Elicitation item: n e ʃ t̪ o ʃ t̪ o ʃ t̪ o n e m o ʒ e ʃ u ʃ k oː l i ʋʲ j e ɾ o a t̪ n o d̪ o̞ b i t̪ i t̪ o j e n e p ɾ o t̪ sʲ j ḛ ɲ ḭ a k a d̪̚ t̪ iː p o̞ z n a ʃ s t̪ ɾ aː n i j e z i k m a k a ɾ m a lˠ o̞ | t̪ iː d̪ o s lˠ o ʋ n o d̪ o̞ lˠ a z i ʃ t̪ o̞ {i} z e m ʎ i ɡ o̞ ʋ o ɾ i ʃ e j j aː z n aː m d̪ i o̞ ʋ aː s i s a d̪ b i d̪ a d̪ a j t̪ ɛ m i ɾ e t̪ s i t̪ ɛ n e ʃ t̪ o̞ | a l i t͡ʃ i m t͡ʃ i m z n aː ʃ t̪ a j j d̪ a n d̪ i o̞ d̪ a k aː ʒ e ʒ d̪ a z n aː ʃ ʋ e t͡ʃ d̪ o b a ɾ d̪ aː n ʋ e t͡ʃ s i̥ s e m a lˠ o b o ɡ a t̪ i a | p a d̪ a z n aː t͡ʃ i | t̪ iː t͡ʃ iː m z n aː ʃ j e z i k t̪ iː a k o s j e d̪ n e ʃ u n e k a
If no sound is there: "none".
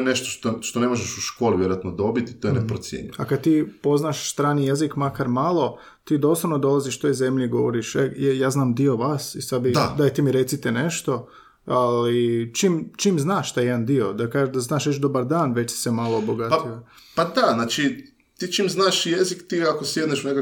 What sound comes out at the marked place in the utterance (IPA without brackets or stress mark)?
j